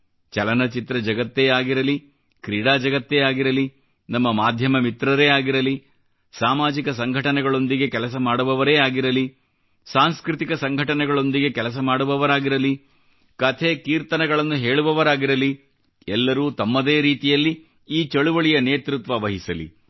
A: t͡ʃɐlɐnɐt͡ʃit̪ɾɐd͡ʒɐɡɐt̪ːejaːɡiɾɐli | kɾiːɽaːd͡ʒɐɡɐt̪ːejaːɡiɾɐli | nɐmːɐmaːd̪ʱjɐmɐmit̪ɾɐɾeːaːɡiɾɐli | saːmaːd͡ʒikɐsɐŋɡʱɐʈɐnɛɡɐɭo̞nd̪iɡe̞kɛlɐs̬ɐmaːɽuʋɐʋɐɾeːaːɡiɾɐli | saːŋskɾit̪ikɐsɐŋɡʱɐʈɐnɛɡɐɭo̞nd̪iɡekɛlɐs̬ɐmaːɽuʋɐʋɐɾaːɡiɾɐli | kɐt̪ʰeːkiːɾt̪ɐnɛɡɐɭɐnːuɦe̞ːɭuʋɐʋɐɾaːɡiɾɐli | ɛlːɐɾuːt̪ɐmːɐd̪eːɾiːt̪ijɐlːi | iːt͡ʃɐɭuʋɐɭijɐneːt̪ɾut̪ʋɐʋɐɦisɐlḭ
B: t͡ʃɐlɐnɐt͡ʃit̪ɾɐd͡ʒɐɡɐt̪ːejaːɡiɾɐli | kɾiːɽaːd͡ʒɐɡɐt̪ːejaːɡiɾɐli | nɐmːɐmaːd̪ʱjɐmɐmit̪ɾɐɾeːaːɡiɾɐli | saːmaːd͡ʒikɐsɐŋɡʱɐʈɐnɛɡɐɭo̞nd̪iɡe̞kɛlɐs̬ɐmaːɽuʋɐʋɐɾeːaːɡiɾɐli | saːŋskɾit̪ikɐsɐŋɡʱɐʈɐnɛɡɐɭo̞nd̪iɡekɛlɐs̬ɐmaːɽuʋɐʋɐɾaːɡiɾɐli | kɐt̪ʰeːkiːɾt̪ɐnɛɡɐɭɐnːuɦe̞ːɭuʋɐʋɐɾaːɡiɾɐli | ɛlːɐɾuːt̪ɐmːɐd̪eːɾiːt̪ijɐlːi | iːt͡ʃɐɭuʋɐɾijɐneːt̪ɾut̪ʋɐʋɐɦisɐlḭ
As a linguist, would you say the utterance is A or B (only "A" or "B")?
A